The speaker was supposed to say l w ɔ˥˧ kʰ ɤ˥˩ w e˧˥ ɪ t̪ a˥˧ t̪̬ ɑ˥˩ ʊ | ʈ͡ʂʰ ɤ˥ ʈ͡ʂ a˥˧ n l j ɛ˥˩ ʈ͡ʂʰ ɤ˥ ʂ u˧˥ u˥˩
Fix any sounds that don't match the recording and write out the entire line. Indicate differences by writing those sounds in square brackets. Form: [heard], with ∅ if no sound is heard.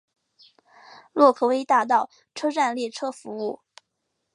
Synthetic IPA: l w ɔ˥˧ kʰ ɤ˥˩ w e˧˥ ɪ t̪ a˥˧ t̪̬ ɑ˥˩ ʊ | ʈ͡ʂʰ ɤ˥ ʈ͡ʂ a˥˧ n l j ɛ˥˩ ʈ͡ʂʰ ɤ˥ [f] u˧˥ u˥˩